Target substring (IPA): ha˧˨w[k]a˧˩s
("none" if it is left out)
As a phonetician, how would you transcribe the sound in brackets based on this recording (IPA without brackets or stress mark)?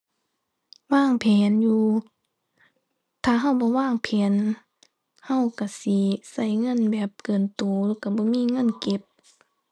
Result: k